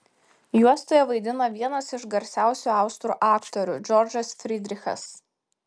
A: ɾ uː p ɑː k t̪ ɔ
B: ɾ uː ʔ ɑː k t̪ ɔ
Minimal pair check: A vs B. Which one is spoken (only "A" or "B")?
B